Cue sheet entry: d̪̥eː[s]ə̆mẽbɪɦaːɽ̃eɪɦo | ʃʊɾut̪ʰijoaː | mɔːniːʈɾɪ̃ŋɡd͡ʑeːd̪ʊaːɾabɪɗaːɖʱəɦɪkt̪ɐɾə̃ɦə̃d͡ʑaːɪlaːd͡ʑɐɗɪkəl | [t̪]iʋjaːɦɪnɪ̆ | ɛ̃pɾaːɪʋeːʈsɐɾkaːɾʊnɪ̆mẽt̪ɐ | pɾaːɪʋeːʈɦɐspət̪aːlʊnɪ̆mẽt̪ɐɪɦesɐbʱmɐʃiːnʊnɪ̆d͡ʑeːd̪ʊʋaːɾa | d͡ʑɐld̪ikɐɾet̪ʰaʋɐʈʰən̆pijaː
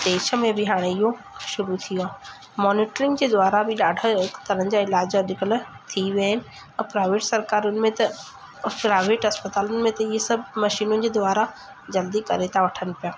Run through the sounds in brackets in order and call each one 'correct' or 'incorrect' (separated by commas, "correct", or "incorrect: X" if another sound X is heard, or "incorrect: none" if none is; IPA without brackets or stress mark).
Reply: incorrect: ʃ, incorrect: t̪ʰ